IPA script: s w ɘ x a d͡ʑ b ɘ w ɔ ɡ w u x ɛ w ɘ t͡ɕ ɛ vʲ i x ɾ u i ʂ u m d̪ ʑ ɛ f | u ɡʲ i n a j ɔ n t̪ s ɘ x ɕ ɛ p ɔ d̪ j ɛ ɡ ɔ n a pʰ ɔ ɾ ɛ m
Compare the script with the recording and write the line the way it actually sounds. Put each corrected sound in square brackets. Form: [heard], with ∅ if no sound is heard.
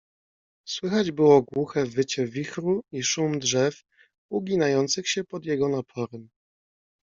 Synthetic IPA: s w ɘ x a d͡ʑ b ɘ w ɔ ɡ w u x ɛ [v] ɘ t͡ɕ ɛ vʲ i x ɾ u i ʂ u m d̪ [ʐ] ɛ f | u ɡʲ i n a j ɔ n t̪ s ɘ x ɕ ɛ p ɔ d̪ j ɛ ɡ ɔ n a pʰ ɔ ɾ ɛ m